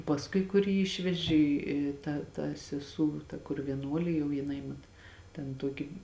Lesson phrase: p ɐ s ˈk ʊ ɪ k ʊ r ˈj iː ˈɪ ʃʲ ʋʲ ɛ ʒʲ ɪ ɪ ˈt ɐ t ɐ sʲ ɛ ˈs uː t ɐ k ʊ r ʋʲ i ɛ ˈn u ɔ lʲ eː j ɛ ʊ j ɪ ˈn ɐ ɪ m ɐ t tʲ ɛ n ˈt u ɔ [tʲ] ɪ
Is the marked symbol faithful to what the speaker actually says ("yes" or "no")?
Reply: no